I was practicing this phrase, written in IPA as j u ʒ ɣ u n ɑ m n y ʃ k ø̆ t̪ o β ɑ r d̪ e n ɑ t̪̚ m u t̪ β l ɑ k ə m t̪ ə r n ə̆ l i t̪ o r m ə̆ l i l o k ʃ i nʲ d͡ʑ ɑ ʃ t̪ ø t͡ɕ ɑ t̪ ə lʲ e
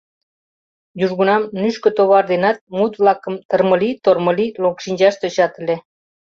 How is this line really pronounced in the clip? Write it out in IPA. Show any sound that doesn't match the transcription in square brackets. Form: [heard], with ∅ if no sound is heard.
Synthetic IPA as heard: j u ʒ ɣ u n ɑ m n y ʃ k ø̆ t̪ o β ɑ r d̪ e n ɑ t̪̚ m u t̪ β l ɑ k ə m t̪ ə r [m] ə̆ l i t̪ o r m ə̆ l i l o k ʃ i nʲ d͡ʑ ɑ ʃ t̪ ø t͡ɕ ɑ t̪ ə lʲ e

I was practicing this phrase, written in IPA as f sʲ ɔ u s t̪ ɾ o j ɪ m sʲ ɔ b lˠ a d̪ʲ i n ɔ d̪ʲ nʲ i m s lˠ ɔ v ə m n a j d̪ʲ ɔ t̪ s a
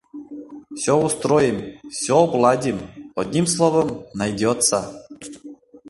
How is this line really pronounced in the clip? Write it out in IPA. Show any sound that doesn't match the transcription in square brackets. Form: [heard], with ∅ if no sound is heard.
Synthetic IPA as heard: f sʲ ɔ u s t̪ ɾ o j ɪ m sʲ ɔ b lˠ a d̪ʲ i [m] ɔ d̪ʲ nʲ i m s lˠ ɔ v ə m n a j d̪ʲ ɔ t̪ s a

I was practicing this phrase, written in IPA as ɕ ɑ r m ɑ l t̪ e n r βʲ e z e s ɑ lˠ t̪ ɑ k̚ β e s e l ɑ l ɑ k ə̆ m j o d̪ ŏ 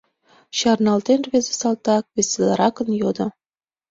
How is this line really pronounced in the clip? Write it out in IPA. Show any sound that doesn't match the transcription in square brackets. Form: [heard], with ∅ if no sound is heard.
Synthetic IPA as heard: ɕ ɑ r [n] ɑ l t̪ e n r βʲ e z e s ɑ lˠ t̪ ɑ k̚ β e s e l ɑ [ɾ] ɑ k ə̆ [n] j o d̪ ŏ

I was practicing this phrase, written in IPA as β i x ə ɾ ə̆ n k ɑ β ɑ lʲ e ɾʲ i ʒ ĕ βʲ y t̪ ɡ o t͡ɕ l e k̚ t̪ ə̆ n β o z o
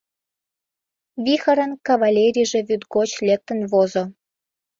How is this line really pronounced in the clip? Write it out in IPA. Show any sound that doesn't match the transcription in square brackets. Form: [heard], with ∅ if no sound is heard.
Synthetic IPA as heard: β i x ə ɾ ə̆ n k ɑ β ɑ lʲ e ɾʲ i ʒ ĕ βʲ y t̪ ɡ o t͡ɕ l e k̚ t̪ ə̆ n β o z o

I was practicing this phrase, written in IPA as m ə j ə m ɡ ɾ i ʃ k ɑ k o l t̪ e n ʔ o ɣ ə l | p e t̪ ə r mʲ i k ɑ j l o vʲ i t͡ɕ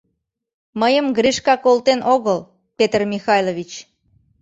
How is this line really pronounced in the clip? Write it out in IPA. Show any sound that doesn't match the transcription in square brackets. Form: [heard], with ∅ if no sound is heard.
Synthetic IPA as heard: m ə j ə m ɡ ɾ i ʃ k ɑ k o l t̪ e n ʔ o ɣ ə l | p e t̪ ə r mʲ i [x] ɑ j l o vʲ i t͡ɕ

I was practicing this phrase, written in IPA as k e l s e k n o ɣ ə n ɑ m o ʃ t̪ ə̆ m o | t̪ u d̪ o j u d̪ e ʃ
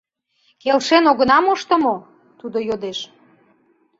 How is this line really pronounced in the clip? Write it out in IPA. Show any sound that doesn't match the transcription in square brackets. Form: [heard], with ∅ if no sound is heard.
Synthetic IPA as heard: k e l [ʃ] e [∅] n o ɣ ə n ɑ m o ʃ t̪ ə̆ m o | t̪ u d̪ o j [o] d̪ e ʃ

